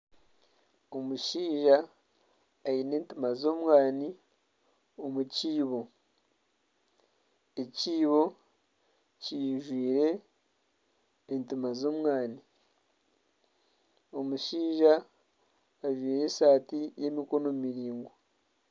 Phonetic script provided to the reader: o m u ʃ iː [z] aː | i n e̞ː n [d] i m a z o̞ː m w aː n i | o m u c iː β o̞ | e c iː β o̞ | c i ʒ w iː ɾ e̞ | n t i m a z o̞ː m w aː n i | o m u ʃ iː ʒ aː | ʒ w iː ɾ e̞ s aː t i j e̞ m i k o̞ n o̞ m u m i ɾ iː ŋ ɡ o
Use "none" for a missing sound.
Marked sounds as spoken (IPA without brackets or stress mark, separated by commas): ʒ, t